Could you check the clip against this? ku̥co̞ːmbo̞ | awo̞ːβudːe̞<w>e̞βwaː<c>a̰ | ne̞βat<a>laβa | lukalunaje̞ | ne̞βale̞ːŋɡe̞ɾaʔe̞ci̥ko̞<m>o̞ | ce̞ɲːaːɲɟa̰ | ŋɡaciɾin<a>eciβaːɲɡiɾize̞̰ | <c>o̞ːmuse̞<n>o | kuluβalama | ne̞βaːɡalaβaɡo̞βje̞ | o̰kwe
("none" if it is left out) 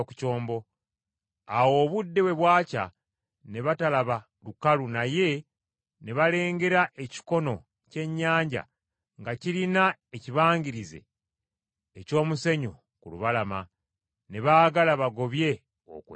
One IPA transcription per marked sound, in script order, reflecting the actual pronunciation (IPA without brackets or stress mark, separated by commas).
w, c, a, n, a, c, ɲ